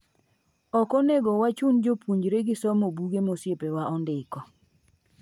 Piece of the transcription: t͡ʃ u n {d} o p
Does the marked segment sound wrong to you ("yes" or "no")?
yes